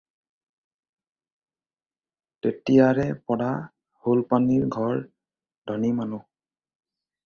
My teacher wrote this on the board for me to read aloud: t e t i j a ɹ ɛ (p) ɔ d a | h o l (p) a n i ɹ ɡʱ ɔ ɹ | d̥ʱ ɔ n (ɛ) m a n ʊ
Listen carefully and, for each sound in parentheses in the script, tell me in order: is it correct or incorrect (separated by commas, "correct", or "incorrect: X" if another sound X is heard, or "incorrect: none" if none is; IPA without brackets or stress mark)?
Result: correct, correct, incorrect: i